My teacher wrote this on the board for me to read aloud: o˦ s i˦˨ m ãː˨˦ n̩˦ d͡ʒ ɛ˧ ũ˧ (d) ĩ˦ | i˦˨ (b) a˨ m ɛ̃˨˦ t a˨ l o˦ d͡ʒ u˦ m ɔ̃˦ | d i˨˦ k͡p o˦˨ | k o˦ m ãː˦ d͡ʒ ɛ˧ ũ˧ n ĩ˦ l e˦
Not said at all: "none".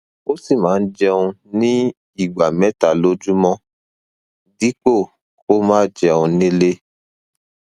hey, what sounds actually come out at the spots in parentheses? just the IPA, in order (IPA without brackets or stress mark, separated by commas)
n, ɡ͡b